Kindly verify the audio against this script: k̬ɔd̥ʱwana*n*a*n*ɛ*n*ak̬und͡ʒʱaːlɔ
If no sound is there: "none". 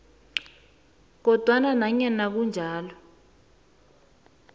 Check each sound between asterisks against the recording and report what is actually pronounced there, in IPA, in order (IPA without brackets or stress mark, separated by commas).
n, ɲ, n